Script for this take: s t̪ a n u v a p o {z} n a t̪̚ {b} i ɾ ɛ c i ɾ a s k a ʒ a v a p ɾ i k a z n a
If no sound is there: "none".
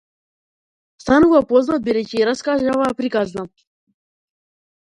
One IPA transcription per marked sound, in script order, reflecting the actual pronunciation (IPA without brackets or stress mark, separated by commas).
z, b